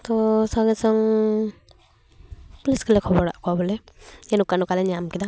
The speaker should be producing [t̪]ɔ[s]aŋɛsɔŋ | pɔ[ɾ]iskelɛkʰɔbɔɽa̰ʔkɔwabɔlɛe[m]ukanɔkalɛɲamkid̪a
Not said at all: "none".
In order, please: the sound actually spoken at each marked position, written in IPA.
t̪, s, l, n

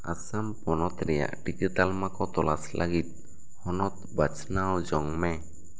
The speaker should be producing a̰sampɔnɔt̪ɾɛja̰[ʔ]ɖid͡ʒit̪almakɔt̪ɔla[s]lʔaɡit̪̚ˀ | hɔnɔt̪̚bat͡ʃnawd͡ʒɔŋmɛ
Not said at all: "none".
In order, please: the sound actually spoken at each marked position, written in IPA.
ʔ, s

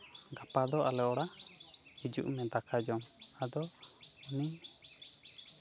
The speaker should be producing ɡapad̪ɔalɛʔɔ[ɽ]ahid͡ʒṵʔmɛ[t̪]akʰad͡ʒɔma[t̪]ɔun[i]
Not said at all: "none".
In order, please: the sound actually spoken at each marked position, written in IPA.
ɽ, d̪, d̪, i

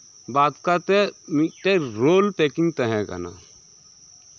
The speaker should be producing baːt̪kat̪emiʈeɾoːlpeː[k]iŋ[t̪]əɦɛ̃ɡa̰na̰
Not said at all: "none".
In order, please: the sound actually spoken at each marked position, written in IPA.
k, t̪

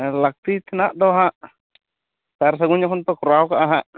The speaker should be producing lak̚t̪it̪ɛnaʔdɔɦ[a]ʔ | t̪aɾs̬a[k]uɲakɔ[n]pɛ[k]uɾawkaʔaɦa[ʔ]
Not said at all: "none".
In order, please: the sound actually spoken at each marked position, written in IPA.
a, ɡ, n, k, ʔ

